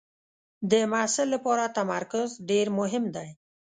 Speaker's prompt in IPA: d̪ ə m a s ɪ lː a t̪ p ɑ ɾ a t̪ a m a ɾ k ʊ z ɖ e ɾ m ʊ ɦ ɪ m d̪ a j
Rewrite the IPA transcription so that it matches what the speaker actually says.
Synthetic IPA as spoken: d̪ ə m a s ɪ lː a p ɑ ɾ a t̪ a m a ɾ k ʊ z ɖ e ɾ m ʊ ɦ ɪ m d̪ a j